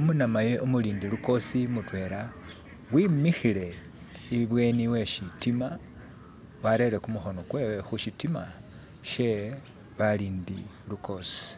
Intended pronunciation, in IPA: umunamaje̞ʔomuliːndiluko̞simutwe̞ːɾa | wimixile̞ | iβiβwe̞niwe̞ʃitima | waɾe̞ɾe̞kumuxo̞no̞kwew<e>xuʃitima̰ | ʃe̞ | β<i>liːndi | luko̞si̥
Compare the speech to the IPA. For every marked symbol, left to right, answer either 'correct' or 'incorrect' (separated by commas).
correct, incorrect